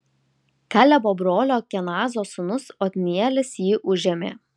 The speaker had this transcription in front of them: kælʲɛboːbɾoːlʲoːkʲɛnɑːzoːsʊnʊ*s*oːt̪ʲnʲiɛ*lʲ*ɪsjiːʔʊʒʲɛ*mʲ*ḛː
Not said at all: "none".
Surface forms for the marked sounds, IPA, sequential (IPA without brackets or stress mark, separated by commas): s, lʲ, mʲ